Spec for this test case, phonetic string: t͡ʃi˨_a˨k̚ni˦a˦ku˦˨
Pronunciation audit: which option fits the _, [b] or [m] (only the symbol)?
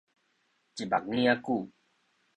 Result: b